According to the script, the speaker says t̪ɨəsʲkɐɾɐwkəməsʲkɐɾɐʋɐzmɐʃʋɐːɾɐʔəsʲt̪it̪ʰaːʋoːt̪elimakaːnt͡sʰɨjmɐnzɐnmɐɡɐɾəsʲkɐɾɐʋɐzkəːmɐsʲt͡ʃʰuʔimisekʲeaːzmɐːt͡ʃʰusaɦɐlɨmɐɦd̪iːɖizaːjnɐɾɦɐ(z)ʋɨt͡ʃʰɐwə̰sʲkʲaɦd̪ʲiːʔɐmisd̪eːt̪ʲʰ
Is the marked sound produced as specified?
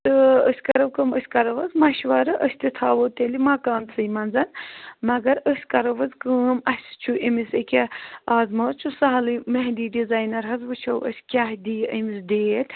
yes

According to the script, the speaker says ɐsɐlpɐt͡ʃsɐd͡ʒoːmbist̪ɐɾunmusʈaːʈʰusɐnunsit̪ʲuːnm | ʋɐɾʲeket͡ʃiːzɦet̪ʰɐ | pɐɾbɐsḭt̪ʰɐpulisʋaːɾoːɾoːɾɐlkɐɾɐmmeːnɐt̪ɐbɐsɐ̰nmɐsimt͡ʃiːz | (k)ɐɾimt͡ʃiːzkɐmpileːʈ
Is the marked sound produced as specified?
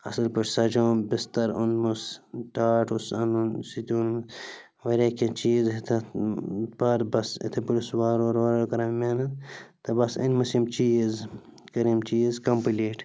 yes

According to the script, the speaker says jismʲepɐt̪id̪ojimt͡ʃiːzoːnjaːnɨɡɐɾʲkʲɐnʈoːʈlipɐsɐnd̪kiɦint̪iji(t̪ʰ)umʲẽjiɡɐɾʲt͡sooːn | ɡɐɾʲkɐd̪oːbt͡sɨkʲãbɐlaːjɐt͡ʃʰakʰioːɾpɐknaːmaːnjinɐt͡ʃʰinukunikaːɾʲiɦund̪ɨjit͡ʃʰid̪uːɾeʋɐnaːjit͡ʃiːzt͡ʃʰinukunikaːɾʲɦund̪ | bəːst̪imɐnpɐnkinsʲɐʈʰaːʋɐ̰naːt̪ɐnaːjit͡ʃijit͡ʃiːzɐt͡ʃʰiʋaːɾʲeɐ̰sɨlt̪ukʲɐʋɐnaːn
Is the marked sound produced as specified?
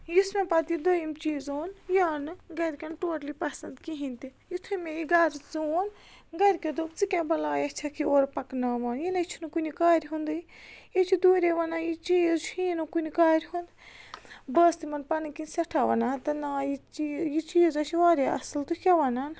yes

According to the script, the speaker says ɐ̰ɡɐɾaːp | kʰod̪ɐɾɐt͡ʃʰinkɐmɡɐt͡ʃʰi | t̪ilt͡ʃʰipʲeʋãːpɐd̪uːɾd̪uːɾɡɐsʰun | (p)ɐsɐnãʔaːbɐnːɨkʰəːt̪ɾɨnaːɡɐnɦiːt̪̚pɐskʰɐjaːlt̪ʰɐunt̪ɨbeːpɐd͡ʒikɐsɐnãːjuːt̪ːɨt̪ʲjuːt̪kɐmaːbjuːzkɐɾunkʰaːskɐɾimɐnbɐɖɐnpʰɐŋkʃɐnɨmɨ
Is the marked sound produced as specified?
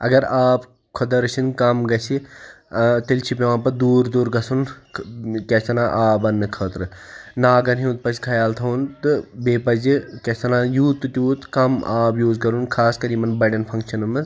no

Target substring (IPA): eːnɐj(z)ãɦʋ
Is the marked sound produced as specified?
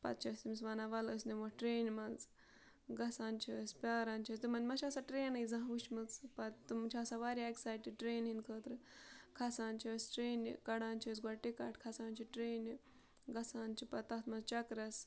yes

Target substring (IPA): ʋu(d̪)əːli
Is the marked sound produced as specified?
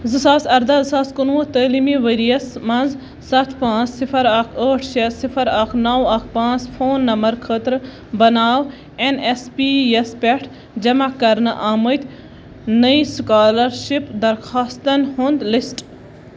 no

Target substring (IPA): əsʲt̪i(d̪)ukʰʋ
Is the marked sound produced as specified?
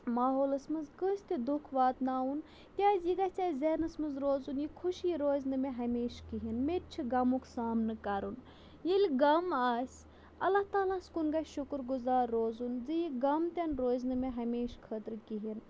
yes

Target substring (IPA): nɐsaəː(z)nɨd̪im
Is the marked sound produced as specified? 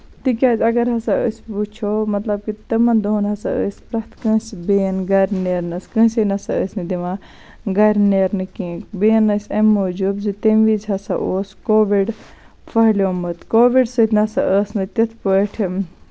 no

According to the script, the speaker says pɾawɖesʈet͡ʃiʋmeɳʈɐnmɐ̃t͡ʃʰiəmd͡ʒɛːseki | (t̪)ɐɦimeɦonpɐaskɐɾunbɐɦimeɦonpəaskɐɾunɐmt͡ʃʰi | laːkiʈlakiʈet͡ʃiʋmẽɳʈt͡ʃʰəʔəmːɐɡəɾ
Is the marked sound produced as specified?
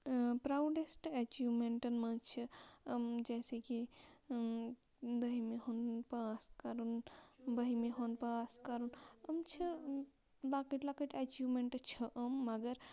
no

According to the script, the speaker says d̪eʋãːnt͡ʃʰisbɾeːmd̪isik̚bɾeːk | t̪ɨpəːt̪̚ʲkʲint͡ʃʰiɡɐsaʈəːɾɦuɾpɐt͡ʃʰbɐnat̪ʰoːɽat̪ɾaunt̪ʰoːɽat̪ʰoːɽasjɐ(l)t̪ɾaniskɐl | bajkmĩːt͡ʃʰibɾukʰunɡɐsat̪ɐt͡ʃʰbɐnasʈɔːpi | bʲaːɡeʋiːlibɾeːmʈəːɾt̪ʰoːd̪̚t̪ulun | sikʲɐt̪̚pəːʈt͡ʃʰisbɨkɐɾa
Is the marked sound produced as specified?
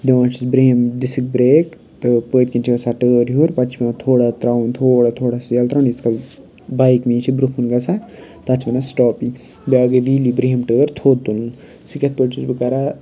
yes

